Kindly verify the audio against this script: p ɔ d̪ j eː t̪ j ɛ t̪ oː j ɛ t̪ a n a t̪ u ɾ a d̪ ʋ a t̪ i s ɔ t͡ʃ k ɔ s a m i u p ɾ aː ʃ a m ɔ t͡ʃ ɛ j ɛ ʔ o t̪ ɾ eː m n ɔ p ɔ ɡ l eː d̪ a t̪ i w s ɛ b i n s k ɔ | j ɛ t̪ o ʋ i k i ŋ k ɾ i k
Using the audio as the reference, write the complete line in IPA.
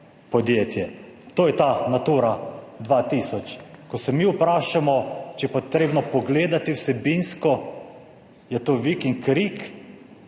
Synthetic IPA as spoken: p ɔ d̪ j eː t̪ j ɛ t̪ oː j ɛ t̪ a n a t̪ u ɾ a d̪ ʋ a t̪ i s ɔ t͡ʃ k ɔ s ɛ m i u p ɾ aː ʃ a m ɔ t͡ʃ ɛ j ɛ p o t̪ ɾ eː b n ɔ p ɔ ɡ l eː d̪ a t̪ i w s ɛ b i n s k ɔ | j ɛ t̪ o ʋ i k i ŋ k ɾ i k